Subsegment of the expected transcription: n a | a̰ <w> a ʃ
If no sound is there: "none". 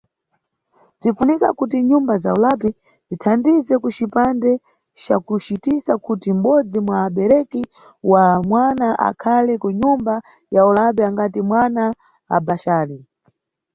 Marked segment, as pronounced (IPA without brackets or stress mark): b